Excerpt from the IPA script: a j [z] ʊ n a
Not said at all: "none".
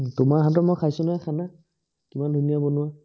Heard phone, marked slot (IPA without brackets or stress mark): s